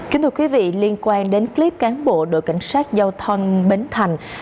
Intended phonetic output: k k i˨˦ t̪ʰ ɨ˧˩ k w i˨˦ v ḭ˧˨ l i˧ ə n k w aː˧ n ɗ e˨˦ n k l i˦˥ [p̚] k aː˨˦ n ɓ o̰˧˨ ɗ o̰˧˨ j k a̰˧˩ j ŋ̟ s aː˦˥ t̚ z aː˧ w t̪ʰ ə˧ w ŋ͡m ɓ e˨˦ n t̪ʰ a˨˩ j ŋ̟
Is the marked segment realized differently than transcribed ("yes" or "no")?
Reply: no